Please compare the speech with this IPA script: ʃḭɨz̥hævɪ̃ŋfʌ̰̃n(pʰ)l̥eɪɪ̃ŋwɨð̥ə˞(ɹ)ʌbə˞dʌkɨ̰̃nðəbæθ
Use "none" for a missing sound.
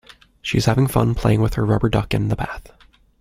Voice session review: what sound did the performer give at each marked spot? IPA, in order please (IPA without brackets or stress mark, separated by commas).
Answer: pʰ, ɹ